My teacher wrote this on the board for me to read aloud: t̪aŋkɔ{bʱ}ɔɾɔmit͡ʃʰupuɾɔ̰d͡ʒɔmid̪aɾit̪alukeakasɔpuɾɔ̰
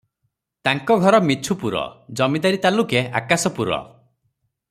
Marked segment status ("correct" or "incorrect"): incorrect